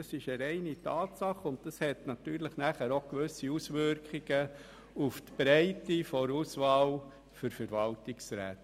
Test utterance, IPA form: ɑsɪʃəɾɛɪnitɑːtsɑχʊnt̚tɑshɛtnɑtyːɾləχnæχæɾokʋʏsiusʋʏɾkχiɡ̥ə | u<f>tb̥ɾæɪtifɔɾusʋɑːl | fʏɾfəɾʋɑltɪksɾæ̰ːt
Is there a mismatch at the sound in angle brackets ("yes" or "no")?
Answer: no